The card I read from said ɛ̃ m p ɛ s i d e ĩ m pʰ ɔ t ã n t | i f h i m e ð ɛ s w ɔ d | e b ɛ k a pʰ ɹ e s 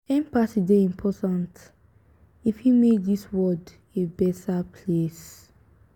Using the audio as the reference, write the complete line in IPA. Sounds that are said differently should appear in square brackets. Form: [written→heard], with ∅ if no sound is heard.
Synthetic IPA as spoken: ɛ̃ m p [ɛ→a] s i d e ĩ m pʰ ɔ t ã n t | i f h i m e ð [ɛ→i] s w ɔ d | e b ɛ [k→t] a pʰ [ɹ→l] e s